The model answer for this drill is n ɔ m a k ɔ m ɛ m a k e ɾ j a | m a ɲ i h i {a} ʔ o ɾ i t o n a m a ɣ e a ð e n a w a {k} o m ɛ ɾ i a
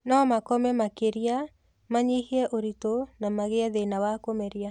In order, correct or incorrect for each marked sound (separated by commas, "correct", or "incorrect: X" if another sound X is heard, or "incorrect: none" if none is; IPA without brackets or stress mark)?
incorrect: ɛ, correct